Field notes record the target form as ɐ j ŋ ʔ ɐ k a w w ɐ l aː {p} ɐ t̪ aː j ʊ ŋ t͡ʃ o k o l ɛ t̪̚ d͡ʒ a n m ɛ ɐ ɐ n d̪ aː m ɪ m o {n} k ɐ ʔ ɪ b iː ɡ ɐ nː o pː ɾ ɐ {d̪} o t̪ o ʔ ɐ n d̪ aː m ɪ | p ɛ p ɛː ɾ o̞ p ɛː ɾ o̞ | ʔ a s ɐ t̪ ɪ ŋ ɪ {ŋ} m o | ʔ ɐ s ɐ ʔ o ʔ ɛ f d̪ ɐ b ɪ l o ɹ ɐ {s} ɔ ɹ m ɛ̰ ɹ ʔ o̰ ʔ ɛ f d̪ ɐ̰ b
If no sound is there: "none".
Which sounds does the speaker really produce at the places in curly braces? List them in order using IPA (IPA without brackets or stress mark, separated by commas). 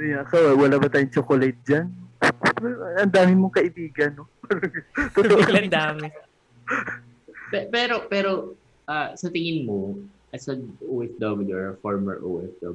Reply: b, ŋ, t̪, n, f